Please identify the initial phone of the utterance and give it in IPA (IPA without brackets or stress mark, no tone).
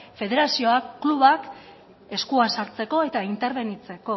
f